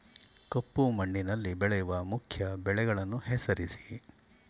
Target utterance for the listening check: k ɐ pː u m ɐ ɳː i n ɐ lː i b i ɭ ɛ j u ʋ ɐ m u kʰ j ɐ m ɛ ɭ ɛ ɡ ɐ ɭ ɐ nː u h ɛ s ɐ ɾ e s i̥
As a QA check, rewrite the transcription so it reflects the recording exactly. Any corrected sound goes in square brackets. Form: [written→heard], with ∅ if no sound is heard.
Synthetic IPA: k ɐ pː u m ɐ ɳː i n ɐ lː i b [i→ɛ] ɭ ɛ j u ʋ ɐ m u kʰ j ɐ [m→b] ɛ ɭ ɛ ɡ ɐ ɭ ɐ nː u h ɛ s ɐ ɾ [e→i] s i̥